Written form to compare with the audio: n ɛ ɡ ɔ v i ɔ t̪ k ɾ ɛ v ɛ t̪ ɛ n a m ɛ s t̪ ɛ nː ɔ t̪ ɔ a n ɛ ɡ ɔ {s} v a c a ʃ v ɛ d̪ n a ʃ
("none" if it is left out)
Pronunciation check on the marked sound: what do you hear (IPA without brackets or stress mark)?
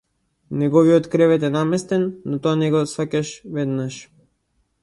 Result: s